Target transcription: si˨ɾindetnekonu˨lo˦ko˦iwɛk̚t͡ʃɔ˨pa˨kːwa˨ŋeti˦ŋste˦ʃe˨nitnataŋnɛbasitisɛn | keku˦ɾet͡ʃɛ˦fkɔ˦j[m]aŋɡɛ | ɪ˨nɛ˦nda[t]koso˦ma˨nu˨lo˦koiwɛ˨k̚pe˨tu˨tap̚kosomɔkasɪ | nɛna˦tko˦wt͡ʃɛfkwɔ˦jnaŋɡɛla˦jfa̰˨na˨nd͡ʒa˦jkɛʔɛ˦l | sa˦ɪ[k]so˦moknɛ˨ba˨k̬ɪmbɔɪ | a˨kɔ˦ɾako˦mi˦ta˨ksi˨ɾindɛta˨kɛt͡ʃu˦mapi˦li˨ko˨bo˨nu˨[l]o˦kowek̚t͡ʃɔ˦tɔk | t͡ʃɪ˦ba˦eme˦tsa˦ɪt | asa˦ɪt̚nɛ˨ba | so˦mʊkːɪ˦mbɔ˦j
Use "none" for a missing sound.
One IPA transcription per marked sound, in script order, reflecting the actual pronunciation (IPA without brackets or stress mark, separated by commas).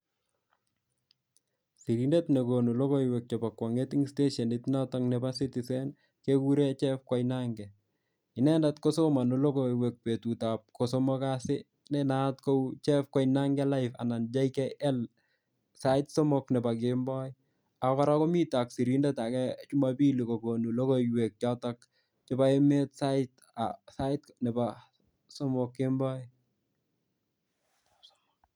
n, t, t, l